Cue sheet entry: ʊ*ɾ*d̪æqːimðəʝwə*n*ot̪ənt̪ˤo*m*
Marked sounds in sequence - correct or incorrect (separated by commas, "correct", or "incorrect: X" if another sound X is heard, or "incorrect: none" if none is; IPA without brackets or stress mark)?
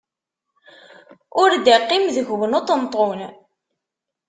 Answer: correct, correct, incorrect: n